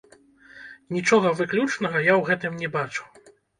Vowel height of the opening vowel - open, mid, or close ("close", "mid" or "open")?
close